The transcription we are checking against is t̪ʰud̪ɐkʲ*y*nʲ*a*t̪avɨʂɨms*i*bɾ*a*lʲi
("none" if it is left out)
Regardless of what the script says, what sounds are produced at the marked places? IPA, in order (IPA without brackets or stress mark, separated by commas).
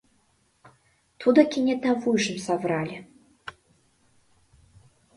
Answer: i, ɛ, a, a